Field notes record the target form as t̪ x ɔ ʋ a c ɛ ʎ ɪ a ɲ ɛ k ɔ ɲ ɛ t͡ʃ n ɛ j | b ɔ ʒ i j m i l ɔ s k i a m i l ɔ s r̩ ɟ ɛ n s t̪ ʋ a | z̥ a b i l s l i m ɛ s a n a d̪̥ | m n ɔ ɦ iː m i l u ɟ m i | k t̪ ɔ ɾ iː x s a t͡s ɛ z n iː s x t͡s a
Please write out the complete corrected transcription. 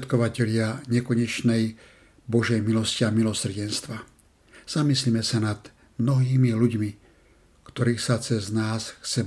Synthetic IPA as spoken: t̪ k ɔ ʋ a c ɛ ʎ ɪ a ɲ ɛ k ɔ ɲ ɛ t͡ʃ n ɛ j | b ɔ ʒ ɛ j m i l ɔ s c i a m i l ɔ s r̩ ɟ ɛ n s t̪ ʋ a | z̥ a m i s l i m ɛ s a n a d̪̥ | m n ɔ ɦ iː m i l u ɟ m i | k t̪ ɔ ɾ iː x s a t͡s ɛ z n aː s x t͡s ɛ